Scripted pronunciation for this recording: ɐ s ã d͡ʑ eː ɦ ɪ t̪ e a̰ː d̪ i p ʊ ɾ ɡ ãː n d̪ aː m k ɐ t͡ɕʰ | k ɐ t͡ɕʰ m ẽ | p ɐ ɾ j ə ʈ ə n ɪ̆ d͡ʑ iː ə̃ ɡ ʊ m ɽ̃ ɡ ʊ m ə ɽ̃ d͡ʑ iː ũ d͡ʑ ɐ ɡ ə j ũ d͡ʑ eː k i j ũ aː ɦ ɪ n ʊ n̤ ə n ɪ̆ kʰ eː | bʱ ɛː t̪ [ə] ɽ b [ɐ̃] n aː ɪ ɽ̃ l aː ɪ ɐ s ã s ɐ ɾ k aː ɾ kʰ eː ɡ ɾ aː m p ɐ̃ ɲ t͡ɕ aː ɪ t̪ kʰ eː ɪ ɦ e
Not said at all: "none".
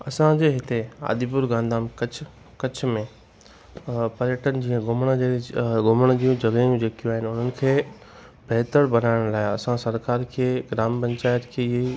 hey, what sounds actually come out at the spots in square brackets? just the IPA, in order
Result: ə, ɐ

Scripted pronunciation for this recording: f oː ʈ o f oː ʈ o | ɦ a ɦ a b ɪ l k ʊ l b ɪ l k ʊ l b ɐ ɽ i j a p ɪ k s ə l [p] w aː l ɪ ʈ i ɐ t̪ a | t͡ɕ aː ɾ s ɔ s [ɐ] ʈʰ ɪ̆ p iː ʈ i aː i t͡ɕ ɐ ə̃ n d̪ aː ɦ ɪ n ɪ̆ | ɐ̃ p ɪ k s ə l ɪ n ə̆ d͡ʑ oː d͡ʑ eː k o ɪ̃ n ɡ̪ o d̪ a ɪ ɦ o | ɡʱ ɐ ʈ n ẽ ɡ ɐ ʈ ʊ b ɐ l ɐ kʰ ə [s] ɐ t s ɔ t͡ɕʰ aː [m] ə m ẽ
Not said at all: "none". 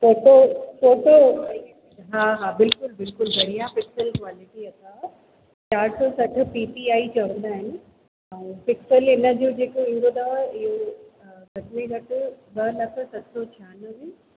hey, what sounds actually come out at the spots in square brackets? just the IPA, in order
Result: k, ɐ, s, n

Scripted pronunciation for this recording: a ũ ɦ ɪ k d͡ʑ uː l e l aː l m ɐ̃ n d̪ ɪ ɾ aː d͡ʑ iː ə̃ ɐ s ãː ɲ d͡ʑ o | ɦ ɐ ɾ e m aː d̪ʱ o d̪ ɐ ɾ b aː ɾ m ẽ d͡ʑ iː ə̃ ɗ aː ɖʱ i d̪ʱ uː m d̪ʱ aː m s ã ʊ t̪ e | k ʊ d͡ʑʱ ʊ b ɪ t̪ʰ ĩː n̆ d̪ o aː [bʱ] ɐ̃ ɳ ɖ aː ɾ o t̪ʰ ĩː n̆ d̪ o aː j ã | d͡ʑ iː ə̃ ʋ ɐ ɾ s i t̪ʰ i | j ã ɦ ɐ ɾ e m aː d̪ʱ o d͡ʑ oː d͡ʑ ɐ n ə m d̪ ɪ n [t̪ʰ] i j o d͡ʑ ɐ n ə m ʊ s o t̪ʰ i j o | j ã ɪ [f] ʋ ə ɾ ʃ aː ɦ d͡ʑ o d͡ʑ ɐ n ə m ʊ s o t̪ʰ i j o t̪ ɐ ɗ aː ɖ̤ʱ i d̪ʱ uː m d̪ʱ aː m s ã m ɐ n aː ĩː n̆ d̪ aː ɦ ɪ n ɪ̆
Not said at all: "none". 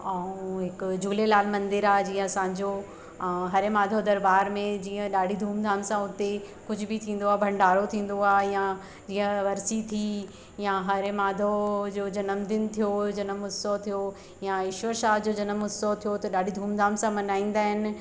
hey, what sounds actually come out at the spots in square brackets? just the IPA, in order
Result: bʱ, t̪ʰ, ʃ

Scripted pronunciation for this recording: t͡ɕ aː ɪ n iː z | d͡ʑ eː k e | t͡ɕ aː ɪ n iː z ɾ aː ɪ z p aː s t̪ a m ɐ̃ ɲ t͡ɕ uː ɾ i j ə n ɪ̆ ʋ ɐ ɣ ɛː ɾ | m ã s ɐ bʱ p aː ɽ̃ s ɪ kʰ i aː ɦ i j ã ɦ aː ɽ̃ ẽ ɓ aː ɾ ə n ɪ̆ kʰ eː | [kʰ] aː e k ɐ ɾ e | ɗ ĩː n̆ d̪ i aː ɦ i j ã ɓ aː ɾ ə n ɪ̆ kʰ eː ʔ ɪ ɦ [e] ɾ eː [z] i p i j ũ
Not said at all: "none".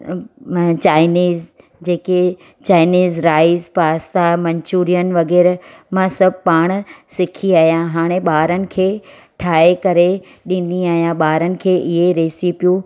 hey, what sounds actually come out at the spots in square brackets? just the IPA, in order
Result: ʈʰ, e, s

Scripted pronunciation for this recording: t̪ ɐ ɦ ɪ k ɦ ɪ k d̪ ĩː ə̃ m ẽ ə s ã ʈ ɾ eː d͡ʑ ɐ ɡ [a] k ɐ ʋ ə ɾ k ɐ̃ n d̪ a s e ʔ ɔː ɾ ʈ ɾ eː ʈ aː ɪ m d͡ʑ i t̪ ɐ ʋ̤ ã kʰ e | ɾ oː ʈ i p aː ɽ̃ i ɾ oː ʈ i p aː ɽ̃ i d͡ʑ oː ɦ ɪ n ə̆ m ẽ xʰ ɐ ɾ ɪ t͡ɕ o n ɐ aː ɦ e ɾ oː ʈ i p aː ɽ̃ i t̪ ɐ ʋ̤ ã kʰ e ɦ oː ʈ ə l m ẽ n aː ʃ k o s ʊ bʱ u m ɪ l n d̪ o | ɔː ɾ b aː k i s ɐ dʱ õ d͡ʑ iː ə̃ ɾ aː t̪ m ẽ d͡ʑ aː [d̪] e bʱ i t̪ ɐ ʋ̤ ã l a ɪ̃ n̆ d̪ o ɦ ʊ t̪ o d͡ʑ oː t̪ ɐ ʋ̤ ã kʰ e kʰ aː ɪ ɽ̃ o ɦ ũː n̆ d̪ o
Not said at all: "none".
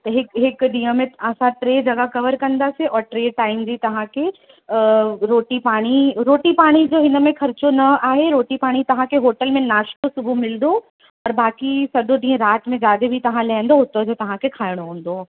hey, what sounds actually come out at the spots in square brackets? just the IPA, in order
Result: a, d̪

